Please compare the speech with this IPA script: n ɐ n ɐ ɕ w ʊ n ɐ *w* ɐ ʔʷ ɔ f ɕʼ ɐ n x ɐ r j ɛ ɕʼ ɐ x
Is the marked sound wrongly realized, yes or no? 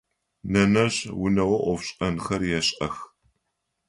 no